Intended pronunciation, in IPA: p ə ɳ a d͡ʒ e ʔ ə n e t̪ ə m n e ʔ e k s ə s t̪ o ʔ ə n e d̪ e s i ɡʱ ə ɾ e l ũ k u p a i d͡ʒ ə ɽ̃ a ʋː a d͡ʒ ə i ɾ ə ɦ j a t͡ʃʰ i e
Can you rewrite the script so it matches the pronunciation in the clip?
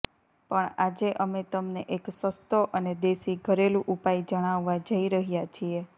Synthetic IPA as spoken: p ə ɳ a d͡ʒ e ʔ ə m e t̪ ə m n e ʔ e k s ə s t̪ o ʔ ə n e d̪ e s i ɡʱ ə ɾ e l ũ ʔ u p a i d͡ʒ ə ɽ̃ a ʋː a d͡ʒ ə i ɾ ə ɦ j a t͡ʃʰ i e